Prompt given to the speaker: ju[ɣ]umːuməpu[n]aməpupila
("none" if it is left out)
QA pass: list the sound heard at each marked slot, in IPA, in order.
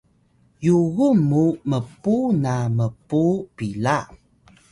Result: ɣ, n

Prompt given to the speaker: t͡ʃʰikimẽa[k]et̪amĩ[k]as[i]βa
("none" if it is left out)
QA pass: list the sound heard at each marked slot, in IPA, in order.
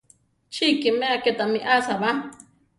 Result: k, ʔ, a

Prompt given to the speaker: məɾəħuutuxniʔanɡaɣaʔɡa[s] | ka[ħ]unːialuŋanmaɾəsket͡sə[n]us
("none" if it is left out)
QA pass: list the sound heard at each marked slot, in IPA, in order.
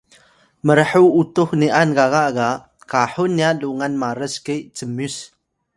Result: none, ħ, m

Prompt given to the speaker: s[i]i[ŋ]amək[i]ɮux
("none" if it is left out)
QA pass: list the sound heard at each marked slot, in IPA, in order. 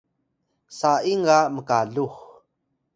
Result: a, ŋ, a

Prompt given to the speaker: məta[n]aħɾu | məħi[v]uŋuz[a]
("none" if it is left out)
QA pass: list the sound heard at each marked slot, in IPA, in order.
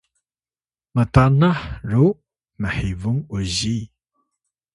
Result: n, v, i

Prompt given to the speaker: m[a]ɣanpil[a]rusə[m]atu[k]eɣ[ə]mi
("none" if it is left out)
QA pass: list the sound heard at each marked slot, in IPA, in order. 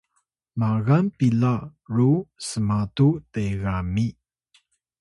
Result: a, a, m, t, a

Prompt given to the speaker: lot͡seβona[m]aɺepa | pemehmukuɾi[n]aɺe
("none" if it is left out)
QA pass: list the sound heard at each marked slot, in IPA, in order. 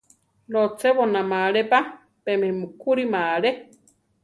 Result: m, m

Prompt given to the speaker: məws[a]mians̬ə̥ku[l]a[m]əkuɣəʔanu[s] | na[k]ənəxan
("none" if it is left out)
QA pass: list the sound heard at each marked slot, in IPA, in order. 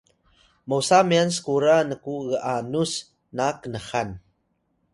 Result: a, ɾ, n, s, k

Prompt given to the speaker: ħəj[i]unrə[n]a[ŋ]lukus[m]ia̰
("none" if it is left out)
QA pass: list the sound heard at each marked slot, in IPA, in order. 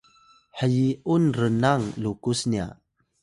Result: i, n, ŋ, n

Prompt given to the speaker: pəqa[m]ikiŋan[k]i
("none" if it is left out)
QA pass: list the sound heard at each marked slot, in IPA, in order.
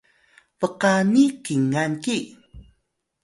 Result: n, k

